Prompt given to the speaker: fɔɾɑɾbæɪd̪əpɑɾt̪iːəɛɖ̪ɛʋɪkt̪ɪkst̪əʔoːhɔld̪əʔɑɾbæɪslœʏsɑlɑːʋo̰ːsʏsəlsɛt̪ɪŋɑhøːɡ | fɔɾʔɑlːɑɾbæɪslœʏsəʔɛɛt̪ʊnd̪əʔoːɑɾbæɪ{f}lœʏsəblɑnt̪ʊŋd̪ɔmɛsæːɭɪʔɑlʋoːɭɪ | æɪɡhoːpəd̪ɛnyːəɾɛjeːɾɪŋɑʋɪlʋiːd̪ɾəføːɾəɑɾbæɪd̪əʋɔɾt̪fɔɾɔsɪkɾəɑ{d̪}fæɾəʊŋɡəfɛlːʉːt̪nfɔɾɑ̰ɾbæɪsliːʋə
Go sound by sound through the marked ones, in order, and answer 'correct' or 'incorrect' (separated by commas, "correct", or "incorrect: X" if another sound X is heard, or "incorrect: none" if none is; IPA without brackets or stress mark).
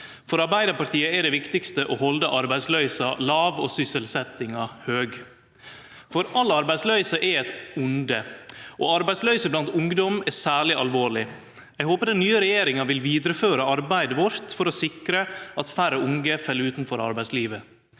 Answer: incorrect: s, incorrect: t̪